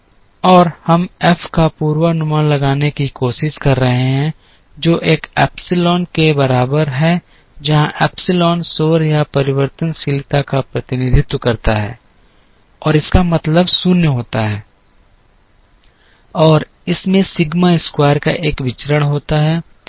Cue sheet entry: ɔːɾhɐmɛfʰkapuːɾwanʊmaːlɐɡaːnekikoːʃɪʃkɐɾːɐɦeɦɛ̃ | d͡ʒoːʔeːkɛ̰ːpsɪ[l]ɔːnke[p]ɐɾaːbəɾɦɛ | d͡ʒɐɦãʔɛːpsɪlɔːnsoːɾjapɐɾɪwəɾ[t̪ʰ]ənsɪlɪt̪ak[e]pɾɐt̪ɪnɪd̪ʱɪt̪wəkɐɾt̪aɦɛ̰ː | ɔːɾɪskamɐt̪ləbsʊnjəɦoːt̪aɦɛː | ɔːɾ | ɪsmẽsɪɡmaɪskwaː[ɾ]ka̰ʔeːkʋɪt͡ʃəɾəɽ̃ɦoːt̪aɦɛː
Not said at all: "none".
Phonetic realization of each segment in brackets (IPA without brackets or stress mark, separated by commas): l, b, t̪, a, ɾ